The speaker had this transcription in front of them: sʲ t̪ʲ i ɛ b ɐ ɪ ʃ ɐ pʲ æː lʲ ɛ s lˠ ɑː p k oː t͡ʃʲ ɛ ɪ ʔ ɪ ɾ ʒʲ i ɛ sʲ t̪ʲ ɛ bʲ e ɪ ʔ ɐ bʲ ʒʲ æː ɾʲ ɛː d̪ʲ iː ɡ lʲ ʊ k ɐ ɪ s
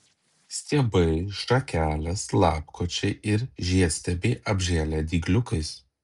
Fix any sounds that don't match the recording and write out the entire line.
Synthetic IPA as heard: sʲ t̪ʲ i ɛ b ɐ ɪ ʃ ɐ kʲ æː lʲ ɛ s lˠ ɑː p k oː t͡ʃʲ ɛ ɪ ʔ ɪ ɾ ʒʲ i ɛ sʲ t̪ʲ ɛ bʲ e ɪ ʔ ɐ bʲ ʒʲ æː lʲ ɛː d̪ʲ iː ɡ lʲ ʊ k ɐ ɪ s